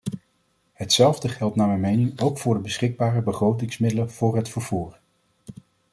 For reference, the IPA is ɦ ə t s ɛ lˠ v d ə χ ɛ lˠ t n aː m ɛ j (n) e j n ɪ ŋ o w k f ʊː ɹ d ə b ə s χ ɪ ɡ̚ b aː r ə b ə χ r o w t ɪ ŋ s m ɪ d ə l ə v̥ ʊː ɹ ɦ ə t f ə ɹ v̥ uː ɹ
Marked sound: incorrect: m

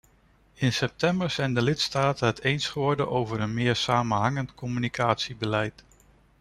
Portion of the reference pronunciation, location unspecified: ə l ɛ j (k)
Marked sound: incorrect: t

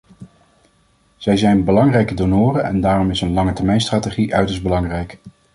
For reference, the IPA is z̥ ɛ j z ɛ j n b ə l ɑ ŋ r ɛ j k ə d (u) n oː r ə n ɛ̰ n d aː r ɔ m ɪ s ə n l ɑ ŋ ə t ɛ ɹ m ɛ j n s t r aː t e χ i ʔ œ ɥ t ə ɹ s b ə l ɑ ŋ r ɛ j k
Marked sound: incorrect: o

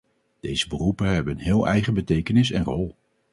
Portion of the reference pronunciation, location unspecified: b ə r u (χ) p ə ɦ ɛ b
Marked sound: incorrect: none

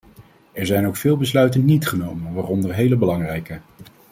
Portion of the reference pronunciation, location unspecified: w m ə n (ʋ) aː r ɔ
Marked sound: correct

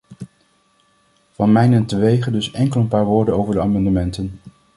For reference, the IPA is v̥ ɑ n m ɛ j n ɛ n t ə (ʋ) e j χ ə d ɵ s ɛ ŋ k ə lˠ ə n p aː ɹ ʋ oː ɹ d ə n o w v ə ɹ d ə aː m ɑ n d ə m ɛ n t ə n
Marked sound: correct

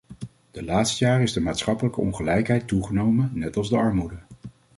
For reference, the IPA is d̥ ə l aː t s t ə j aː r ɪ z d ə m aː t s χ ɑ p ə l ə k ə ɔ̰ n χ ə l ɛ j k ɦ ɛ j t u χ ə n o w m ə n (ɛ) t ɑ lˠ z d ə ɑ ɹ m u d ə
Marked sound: correct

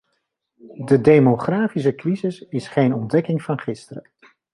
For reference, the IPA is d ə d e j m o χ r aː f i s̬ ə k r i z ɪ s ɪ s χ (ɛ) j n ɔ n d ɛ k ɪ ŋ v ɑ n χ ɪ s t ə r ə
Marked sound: incorrect: e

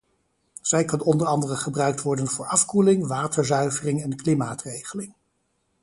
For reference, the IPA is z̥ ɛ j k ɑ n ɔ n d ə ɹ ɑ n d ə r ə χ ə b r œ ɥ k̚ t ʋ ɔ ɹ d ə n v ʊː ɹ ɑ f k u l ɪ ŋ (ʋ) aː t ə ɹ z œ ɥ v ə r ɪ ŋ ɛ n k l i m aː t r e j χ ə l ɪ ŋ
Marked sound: correct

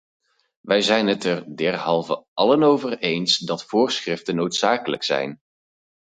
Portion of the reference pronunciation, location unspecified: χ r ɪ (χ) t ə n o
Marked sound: incorrect: f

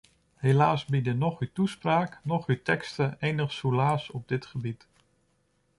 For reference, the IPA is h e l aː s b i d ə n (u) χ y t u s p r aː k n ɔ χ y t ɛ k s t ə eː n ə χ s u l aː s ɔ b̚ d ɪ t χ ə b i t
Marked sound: incorrect: ɔ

